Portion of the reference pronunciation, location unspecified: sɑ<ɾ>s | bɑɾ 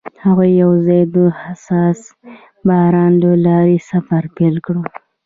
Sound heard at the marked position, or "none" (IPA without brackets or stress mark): none